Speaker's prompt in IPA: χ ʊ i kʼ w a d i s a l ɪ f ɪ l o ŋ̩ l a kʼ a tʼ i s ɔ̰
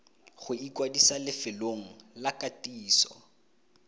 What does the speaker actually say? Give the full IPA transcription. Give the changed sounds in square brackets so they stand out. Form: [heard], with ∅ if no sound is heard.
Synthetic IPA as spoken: χ ʊ i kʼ w a d i s a l ɪ f ɪ l o ŋ̩ l a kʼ a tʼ [iː] s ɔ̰